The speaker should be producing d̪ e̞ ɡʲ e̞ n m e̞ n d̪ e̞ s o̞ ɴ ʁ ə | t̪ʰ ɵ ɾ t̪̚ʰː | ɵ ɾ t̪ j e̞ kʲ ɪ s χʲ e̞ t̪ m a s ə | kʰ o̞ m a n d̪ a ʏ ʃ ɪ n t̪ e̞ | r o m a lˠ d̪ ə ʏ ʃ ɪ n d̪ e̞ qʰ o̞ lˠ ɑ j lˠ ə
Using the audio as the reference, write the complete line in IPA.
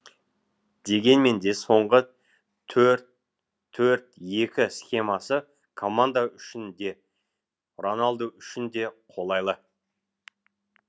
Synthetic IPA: d̪ e̞ ɡʲ e̞ n m e̞ n d̪ e̞ s o̞ ɴ ʁ ə | t̪ʰ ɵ ɾ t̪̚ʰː | ɵ ɾ t̪ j e̞ kʲ ɪ s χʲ e̞ m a s ə | kʰ o̞ m a n d̪ a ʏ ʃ ɪ n d̪ e̞ | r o n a lˠ d̪ ə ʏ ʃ ɪ n d̪ e̞ qʰ o̞ lˠ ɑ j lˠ ə